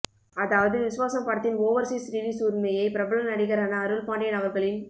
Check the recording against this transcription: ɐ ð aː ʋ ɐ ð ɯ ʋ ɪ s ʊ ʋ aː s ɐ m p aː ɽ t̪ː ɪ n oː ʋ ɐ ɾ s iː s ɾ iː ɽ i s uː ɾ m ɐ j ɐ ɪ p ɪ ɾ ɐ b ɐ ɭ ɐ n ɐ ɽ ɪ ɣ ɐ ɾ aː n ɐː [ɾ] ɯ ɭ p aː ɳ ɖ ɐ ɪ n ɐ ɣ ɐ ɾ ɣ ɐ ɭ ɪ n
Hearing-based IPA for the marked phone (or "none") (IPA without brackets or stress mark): ɾ